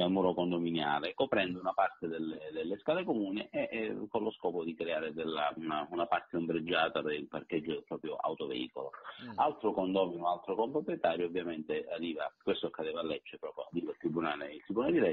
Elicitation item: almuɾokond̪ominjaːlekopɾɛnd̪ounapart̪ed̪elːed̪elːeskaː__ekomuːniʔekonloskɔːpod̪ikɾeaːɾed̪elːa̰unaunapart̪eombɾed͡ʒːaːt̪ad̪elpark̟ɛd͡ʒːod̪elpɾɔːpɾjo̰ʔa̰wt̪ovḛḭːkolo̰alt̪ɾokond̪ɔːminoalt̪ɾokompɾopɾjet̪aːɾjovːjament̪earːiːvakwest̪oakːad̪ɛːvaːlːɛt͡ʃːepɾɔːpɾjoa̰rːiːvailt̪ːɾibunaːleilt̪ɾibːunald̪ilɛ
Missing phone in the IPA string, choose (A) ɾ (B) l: B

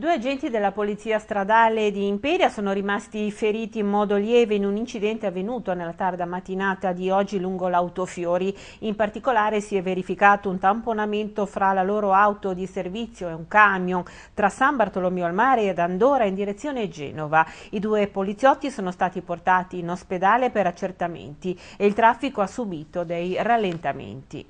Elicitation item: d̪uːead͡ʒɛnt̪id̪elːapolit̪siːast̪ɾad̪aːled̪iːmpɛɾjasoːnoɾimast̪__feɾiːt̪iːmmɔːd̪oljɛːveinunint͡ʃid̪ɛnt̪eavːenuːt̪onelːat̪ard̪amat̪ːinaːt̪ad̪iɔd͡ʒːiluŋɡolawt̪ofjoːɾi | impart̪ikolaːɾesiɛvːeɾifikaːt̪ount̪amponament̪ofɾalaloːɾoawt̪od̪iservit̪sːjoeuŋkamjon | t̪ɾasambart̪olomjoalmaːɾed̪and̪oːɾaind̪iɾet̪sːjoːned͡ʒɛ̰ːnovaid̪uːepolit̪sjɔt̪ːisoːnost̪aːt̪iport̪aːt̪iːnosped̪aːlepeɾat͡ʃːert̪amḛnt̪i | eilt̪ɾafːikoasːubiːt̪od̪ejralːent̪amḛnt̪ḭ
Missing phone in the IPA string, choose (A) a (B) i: B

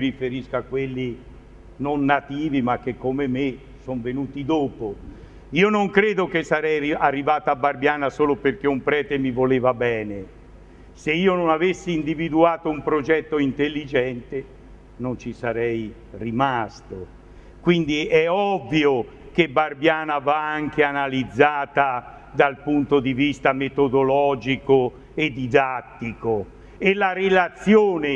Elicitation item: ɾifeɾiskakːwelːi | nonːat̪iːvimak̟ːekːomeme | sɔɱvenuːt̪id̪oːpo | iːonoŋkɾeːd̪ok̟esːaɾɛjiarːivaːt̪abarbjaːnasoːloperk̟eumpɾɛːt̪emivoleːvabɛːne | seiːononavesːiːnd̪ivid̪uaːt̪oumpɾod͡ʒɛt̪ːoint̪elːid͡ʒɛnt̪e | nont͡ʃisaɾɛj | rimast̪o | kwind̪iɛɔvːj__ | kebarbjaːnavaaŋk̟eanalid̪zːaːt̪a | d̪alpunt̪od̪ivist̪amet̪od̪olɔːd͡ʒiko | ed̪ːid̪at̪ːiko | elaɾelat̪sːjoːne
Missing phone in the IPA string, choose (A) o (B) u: A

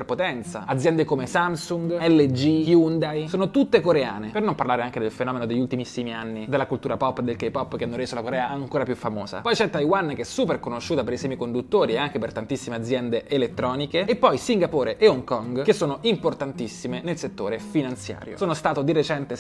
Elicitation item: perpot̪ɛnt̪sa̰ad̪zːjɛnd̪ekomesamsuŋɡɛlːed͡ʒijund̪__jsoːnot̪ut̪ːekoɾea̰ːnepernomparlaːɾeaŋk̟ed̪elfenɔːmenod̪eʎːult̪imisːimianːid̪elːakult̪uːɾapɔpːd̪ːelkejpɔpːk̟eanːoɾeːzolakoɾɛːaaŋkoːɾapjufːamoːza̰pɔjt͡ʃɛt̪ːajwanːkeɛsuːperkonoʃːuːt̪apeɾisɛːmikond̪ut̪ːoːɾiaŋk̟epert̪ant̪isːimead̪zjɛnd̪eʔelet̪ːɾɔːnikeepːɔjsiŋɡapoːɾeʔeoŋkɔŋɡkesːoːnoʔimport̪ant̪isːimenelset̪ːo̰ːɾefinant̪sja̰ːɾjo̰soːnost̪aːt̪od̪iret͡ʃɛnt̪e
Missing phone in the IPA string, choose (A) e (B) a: B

